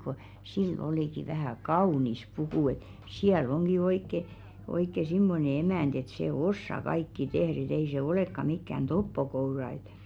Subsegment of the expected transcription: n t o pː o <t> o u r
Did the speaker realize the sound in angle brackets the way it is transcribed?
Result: no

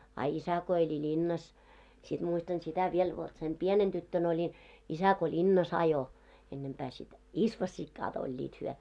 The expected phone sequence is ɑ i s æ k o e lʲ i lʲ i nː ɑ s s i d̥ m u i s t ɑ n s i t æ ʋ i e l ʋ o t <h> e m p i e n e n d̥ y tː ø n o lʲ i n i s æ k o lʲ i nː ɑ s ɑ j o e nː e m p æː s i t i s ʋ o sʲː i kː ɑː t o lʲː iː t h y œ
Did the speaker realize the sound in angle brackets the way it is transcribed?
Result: no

